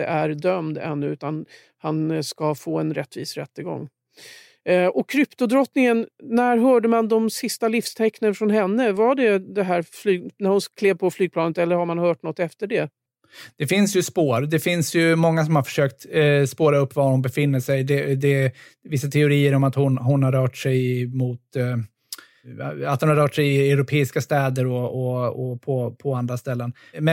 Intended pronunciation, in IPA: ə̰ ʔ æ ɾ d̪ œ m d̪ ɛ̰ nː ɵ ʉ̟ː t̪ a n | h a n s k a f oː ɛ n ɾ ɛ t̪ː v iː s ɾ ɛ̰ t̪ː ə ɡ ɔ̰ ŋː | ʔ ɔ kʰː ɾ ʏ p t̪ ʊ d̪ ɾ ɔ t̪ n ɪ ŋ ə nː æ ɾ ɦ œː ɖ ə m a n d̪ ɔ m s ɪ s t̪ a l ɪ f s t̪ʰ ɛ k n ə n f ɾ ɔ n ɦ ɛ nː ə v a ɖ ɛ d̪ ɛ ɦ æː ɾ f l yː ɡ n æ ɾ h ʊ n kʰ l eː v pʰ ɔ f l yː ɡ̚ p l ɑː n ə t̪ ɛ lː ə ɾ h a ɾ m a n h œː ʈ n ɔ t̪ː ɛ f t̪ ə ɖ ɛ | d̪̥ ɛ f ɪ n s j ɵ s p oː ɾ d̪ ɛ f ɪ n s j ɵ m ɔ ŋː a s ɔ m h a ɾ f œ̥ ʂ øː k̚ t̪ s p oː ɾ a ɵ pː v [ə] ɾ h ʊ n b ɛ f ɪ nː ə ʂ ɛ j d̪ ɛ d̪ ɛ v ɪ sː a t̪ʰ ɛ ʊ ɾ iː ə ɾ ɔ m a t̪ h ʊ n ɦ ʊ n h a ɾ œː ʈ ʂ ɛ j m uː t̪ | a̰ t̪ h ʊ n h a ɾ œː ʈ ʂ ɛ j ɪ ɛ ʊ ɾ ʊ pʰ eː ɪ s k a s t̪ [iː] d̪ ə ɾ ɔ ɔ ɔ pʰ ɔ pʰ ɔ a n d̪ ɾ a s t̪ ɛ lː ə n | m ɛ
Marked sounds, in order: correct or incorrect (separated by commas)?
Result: incorrect, incorrect